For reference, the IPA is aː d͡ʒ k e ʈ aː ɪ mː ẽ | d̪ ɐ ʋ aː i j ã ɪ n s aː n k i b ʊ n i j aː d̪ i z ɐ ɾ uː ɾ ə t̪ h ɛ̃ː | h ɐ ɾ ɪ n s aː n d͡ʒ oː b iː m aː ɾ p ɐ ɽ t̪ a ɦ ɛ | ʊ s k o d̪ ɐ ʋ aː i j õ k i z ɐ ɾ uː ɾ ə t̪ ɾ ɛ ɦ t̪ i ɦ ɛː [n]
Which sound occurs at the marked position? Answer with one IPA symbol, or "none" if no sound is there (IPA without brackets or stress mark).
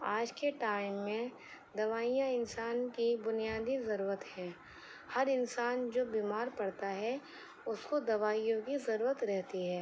none